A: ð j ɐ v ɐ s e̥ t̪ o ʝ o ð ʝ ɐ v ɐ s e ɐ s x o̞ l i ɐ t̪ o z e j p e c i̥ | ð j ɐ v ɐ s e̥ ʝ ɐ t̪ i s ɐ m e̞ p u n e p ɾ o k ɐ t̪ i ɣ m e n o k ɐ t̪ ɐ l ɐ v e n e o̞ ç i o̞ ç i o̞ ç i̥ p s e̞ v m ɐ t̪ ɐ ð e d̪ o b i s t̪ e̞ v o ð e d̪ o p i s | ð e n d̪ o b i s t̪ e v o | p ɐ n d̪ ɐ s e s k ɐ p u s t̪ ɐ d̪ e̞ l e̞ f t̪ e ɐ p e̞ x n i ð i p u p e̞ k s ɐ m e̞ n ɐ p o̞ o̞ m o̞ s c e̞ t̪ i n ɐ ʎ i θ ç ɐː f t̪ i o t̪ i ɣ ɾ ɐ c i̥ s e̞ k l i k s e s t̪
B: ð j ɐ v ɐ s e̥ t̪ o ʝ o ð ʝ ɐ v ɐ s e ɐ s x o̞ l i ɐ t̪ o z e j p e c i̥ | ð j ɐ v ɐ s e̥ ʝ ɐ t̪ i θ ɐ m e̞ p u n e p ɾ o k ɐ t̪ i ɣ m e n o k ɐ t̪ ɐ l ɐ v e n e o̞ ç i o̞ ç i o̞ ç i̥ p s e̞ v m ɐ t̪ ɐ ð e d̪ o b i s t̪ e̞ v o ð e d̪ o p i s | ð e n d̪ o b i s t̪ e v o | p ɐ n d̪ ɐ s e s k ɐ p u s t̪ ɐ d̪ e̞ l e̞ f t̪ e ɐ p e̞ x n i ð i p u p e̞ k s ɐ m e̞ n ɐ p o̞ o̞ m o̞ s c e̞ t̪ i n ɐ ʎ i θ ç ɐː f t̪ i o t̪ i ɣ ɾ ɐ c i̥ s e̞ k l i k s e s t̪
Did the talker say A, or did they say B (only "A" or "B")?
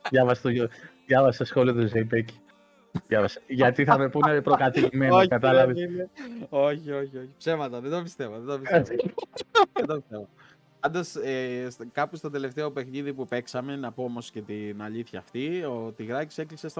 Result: B